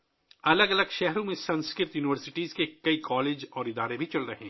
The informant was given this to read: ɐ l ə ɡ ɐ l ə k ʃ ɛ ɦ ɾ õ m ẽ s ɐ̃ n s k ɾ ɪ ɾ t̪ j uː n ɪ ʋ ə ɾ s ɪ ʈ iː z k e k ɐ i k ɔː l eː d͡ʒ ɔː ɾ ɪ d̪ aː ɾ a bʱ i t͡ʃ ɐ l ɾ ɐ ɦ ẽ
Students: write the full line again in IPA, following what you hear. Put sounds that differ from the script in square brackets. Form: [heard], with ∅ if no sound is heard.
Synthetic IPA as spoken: ɐ l ə ɡ ɐ l ə [ɡ] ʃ ɛ ɦ ɾ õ m ẽ s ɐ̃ n s k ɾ ɪ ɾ t̪ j uː n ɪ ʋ ə ɾ s ɪ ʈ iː z k e k ɐ i k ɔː l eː d͡ʒ ɔː ɾ ɪ d̪ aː ɾ [e] bʱ i t͡ʃ ɐ l ɾ ɐ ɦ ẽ